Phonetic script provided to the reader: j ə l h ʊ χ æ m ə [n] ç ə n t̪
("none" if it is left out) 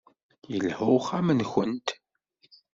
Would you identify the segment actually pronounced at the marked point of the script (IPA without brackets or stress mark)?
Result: n